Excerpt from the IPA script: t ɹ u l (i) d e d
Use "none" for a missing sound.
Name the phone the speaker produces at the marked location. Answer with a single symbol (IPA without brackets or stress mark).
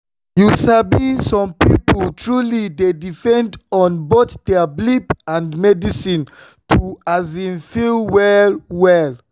i